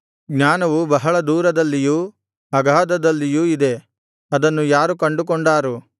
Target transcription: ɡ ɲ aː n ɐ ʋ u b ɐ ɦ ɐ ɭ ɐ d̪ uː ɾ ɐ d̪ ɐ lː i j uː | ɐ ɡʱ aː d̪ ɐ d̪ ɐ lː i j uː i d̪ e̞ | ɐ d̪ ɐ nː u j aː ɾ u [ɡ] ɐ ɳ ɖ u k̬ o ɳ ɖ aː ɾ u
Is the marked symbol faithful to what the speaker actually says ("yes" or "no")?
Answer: no